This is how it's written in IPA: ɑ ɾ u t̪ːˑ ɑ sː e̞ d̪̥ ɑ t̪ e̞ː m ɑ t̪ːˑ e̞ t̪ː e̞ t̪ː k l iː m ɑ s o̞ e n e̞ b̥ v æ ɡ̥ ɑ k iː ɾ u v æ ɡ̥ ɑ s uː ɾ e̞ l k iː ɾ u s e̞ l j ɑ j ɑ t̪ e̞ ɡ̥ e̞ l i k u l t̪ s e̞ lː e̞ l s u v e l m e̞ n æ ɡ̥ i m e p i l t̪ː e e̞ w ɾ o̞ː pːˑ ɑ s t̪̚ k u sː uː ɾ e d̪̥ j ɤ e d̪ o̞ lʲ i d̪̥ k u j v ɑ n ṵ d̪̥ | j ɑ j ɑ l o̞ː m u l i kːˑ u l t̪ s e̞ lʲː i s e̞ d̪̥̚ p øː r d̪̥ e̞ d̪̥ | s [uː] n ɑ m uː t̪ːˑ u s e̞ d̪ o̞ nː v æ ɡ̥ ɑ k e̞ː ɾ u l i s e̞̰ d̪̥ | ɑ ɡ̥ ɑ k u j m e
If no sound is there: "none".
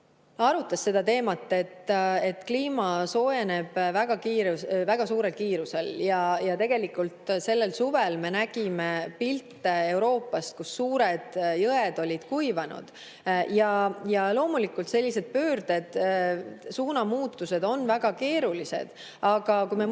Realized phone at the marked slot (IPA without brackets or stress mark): uː